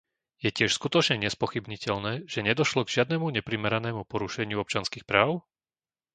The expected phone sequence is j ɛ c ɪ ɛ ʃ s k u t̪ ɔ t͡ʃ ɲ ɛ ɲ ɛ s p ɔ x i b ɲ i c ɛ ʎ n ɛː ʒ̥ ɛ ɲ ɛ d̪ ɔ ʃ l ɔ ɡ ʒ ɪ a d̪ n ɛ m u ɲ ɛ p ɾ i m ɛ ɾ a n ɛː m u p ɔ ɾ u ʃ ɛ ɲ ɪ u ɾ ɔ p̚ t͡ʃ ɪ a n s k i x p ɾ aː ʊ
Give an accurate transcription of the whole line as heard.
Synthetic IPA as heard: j ɛ c ɪ ɛ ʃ s k u t̪ ɔ t͡ʃ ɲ ɛ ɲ ɛ s p ɔ x i b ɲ i c ɛ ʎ n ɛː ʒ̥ ɛ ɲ ɛ d̪ ɔ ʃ l ɔ ɡ ʒ ɪ a d̪ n ɛ m u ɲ ɛ p ɾ i m ɛ ɾ a n ɛː m u p ɔ ɾ u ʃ ɛ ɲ ɪ u ɔ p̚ t͡ʃ ɪ a n s k i x p ɾ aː ʊ

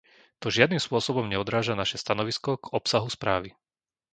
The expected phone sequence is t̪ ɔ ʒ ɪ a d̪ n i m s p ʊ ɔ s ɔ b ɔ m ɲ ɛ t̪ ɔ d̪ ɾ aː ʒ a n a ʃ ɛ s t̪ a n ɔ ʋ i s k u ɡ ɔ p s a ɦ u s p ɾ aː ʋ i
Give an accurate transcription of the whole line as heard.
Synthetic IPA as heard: t̪ ɔ ʒ ɪ a d̪ n i m s p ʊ ɔ s ɔ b ɔ m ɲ ɛ ɔ d̪ ɾ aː ʒ a n a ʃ ɛ s t̪ a n ɔ ʋ i s k ɔ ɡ ɔ p s a ɦ u s p ɾ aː ʋ i

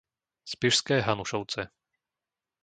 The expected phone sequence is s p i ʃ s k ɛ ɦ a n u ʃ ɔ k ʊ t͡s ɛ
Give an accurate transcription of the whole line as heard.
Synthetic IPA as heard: s p i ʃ s k ɛː ɦ a n u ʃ ɔ ʊ t͡s ɛ

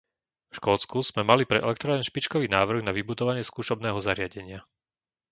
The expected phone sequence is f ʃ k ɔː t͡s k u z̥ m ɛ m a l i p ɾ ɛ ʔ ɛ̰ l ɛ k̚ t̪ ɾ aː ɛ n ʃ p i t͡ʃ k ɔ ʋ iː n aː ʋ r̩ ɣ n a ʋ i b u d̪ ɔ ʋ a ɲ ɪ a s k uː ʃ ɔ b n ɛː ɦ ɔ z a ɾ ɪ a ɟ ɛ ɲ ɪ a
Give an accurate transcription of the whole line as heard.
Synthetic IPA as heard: f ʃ k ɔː t͡s k u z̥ m ɛ m a l i p ɾ ɛ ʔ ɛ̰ l ɛ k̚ t̪ ɾ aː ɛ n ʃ p i t͡ʃ k ɔ ʋ iː n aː ʋ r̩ ɣ n a ʋ i b u d̪ ɔ ʋ a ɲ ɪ ɛ s k uː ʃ ɔ b n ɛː ɦ ɔ z a ɾ ɪ a ɟ ɛ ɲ ɪ a

